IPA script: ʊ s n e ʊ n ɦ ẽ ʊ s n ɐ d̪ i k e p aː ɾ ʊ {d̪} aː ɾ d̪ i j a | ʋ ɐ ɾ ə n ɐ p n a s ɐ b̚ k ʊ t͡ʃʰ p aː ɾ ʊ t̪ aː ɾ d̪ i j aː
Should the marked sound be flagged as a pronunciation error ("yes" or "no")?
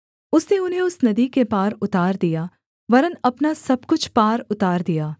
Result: yes